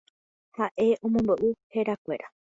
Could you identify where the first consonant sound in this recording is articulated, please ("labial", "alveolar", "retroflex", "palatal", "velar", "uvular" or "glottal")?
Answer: glottal